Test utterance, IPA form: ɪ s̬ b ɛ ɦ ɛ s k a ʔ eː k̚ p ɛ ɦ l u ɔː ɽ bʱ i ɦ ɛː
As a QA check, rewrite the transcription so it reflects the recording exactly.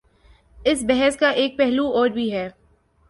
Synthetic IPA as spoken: ɪ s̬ b ɛ ɦ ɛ s k a ʔ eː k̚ p ɛ ɦ l u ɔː ɾ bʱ i ɦ ɛː